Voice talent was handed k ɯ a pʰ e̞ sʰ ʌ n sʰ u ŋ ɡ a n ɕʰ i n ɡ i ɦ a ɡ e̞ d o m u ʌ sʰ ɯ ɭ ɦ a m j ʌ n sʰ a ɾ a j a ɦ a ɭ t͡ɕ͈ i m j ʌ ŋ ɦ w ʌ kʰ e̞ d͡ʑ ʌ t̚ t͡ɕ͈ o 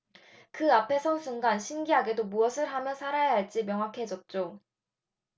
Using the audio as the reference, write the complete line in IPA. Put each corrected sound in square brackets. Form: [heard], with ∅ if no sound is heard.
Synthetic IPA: k ɯ a pʰ e̞ sʰ ʌ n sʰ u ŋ ɡ a n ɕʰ i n ɡ i ɦ a ɡ e̞ d o m u ʌ sʰ ɯ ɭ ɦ a m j ʌ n sʰ a ɾ a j a ɦ a ɭ t͡ɕ͈ i m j ʌ ŋ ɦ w [a] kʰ e̞ d͡ʑ ʌ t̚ t͡ɕ͈ o